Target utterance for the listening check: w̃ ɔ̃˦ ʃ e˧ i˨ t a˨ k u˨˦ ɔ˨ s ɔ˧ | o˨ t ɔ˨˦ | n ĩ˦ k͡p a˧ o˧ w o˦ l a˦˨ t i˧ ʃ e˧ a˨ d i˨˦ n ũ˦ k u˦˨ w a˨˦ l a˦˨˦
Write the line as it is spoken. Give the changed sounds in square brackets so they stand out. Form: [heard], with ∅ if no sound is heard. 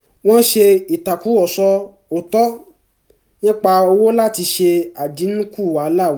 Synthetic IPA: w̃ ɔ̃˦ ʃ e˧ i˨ t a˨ k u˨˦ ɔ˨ s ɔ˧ | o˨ t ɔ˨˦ | n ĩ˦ k͡p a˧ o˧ w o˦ l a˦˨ t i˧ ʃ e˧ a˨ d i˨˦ n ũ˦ k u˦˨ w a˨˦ l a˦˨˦